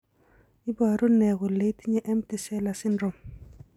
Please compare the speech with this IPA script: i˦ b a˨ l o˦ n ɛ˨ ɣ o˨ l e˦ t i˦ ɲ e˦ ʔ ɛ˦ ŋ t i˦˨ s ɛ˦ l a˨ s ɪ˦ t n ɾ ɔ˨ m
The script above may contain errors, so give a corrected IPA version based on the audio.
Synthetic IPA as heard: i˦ b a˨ ɾ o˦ n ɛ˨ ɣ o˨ l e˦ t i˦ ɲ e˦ ʔ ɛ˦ m t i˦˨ s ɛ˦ l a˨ s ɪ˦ n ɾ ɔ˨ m